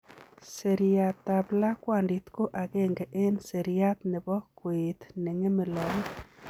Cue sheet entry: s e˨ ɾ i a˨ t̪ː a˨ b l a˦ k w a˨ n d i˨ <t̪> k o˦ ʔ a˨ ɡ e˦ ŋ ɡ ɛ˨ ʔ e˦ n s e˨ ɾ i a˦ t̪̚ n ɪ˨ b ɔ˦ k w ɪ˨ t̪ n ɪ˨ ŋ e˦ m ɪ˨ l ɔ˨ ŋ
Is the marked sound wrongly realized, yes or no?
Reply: no